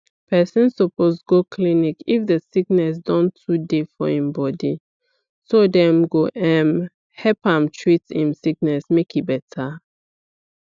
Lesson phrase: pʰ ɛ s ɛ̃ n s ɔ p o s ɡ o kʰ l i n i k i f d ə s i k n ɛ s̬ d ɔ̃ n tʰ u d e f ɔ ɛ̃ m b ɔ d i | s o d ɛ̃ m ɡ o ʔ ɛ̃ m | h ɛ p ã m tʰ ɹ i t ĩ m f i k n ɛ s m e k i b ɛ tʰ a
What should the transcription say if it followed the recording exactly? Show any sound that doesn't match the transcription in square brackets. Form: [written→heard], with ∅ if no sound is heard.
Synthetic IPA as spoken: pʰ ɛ s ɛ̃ n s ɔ p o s ɡ o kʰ l i n i k i f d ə s i k n ɛ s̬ d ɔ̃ n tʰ u d e f ɔ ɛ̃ m b ɔ d i | s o d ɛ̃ m ɡ o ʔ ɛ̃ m | h ɛ p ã m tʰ ɹ i t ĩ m [f→s] i k n ɛ s m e k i b ɛ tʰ a